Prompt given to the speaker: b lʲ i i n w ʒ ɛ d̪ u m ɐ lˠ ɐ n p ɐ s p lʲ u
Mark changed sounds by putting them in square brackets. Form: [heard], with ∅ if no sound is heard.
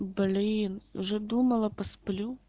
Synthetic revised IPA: b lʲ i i n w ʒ ɛ d̪ u m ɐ lˠ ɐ [∅] p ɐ s p lʲ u